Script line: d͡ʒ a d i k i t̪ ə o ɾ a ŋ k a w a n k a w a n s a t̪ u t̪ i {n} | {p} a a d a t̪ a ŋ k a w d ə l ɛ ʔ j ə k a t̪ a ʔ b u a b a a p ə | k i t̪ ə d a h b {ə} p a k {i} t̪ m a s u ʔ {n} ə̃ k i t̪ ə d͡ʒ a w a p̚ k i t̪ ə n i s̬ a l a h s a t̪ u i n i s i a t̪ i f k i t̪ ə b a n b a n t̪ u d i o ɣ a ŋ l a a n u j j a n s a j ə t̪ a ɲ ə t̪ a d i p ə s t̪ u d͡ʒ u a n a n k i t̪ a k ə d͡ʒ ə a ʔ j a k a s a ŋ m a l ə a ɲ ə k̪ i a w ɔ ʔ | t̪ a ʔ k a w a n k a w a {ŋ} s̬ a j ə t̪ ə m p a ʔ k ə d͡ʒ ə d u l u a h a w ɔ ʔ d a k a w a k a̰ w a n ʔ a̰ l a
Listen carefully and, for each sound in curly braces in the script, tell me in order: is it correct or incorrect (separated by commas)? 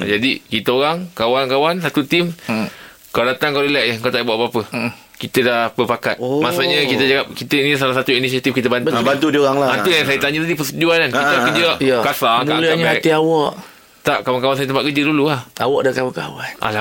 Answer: incorrect, incorrect, correct, incorrect, incorrect, incorrect